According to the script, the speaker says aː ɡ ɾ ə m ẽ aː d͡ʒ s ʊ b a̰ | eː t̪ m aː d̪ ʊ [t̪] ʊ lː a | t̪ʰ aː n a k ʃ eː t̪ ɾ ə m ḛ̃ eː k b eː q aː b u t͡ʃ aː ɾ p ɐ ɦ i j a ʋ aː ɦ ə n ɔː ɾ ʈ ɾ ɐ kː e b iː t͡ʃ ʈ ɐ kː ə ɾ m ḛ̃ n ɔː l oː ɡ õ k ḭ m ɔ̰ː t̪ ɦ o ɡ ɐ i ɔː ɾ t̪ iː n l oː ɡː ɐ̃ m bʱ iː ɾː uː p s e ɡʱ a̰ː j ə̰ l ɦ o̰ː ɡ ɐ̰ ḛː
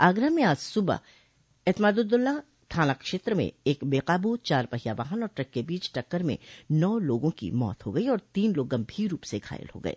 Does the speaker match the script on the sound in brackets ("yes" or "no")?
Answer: no